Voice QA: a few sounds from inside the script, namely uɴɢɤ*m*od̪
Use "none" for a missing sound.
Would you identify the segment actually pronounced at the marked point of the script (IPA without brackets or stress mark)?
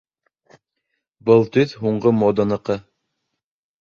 m